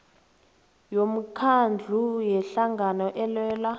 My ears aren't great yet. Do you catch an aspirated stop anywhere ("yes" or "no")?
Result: yes